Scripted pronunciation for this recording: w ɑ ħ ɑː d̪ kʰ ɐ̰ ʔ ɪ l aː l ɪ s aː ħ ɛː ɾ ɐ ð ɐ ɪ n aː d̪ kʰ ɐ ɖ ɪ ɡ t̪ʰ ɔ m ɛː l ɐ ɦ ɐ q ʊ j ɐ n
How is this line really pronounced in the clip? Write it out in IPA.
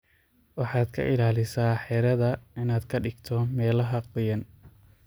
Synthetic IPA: w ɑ ħ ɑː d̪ kʰ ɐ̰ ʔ ɪ l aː l ɪ s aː ħ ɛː ɾ ɐ ð ɐ ɪ n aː d̪ kʰ ɐ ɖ ɪ ɡ t̪ʰ ɔ m ɛː l ɐ ɦ ɐ q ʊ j ɐ n